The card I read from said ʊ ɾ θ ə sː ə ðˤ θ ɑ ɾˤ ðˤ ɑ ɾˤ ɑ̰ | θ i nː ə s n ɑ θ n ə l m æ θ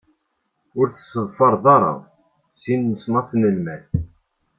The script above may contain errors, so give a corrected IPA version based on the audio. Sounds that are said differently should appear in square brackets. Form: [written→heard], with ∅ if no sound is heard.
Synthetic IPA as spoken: ʊ ɾ θ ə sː ə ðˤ [θ→f] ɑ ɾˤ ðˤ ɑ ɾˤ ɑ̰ | [θ→s] i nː ə s n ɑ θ n ə l m æ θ